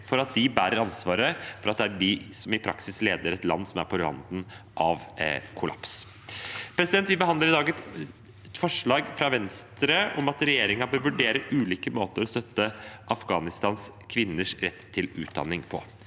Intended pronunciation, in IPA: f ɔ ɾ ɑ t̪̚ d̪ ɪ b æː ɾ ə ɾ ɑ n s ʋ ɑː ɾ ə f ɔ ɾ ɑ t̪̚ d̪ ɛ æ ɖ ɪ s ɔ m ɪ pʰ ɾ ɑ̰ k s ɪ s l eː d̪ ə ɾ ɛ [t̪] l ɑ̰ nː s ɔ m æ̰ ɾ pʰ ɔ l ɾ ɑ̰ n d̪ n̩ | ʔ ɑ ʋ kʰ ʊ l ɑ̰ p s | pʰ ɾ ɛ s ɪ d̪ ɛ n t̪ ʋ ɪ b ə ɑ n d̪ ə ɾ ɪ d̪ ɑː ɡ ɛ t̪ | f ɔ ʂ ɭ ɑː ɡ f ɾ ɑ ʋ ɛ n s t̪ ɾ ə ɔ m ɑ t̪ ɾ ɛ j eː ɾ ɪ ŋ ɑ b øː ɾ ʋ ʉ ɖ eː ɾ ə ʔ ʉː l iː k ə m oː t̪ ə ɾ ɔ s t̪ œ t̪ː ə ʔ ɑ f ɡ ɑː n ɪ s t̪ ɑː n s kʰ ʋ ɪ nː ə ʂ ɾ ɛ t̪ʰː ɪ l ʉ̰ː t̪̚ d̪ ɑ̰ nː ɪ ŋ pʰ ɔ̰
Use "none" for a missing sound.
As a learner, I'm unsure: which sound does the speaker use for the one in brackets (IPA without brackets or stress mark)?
t̪